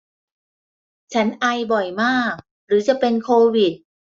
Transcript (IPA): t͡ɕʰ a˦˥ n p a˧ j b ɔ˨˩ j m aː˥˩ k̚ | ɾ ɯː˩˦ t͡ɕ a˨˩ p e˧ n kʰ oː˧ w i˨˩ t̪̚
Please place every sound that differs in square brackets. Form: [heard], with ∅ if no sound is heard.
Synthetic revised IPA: t͡ɕʰ a˦˥ n [ʔ] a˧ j b ɔ˨˩ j m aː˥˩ k̚ | ɾ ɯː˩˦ t͡ɕ a˨˩ p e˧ n kʰ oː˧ w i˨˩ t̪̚